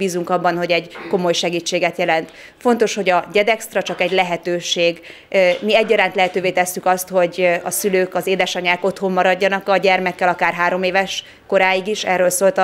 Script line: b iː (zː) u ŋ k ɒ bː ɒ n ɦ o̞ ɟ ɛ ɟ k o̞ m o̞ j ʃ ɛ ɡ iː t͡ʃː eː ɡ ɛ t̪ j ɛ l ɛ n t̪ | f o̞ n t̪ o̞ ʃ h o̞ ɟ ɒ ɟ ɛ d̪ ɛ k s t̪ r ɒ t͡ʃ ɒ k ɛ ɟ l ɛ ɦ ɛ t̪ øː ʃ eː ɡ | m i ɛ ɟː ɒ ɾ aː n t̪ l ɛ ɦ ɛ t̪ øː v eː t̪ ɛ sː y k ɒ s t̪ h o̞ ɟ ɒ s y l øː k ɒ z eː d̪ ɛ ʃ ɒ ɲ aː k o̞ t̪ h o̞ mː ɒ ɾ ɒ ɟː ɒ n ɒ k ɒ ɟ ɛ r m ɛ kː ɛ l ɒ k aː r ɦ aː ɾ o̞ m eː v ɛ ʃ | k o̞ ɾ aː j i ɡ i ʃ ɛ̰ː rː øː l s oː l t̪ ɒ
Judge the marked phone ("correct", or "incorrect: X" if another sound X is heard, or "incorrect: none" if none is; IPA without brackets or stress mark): incorrect: z